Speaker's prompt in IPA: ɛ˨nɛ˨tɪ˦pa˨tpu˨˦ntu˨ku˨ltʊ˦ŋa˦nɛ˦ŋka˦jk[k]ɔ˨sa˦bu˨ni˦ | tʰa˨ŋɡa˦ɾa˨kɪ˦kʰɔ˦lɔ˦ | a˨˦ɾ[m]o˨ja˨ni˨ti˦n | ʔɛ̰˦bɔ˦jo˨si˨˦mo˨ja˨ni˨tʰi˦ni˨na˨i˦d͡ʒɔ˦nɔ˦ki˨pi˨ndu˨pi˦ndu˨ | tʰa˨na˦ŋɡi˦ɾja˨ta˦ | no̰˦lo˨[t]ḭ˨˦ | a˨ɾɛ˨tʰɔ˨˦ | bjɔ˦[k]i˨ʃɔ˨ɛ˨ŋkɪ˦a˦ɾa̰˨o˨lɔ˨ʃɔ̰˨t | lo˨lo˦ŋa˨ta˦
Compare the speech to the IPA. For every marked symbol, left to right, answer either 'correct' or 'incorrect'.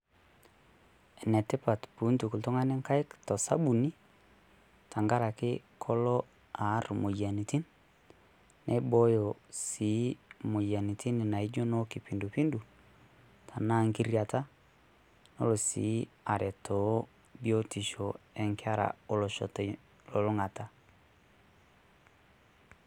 incorrect, correct, incorrect, incorrect

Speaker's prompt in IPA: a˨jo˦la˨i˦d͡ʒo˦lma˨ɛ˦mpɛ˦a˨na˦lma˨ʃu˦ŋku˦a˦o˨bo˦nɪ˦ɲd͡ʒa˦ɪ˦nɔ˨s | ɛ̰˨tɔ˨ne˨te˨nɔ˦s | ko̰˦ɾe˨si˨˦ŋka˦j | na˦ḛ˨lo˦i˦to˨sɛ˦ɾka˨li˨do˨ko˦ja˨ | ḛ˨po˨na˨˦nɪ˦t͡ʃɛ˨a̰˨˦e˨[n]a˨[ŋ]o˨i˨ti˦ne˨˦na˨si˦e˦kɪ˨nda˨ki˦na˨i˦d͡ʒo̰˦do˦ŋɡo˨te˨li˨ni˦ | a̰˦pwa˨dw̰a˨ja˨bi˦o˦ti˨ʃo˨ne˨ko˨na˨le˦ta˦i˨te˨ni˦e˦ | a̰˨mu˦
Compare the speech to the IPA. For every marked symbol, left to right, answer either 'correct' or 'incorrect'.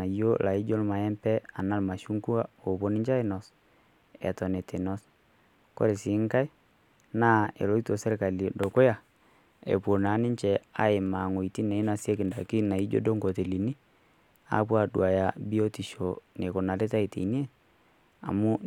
incorrect, correct

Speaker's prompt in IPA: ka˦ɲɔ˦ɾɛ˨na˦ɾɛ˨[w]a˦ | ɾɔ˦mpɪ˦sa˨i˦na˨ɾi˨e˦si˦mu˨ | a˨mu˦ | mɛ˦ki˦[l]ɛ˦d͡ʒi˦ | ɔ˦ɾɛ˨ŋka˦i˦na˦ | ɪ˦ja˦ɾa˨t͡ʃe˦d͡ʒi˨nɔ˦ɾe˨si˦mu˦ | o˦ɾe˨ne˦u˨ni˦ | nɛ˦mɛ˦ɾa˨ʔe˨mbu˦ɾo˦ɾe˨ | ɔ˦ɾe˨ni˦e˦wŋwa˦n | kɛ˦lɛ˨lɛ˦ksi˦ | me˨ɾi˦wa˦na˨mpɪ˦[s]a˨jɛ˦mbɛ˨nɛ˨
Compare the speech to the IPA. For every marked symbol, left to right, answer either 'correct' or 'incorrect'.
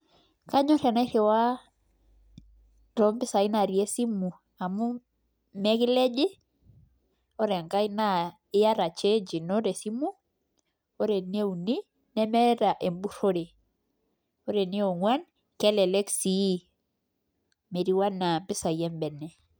correct, correct, correct

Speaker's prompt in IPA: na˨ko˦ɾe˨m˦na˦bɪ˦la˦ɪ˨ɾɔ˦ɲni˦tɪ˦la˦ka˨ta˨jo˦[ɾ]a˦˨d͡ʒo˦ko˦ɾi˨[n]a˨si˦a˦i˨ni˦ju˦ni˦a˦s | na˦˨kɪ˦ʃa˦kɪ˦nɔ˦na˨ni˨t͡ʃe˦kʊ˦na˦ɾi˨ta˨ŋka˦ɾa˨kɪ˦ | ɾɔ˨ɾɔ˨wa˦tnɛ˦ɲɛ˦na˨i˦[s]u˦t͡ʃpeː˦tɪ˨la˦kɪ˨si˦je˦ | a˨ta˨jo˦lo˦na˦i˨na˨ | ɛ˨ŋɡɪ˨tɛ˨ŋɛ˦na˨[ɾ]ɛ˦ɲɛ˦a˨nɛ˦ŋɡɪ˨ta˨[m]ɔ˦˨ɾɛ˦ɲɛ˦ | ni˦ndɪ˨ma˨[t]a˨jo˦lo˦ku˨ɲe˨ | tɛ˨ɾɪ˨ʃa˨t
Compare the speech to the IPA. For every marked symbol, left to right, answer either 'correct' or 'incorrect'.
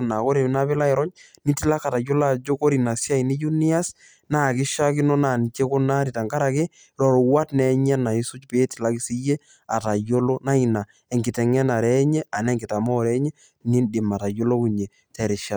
incorrect, correct, correct, correct, correct, correct

